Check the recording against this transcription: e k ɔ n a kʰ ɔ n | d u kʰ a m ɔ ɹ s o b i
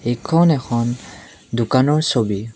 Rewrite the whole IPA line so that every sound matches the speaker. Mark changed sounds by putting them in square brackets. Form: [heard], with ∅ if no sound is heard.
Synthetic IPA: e [kʰ] ɔ n [ɛ] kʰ ɔ n | d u [k] a [n] ɔ ɹ s o b i